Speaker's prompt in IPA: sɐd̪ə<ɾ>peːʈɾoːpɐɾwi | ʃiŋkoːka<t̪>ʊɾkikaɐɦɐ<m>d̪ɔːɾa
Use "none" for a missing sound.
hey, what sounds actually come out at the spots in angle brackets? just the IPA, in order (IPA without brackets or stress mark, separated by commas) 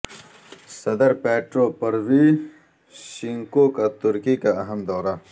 ɾ, t̪, m